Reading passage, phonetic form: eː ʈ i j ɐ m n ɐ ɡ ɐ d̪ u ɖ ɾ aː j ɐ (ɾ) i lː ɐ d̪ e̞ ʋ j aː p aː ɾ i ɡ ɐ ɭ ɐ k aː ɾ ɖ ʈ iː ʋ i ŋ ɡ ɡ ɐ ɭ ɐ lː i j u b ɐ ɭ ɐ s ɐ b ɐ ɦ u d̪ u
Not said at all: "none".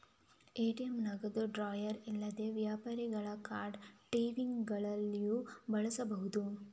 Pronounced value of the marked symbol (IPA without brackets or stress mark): ɾ